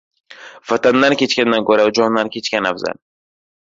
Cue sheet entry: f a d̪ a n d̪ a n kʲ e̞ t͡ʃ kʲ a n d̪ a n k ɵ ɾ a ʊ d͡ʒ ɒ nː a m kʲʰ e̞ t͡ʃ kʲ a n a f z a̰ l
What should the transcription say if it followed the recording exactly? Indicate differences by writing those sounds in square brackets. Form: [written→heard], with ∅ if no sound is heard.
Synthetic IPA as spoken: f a [d̪→t̪] a n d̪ a n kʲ e̞ t͡ʃ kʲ a n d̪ a n k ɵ ɾ a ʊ d͡ʒ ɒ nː a [m→n] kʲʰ e̞ t͡ʃ kʲ a n a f z a̰ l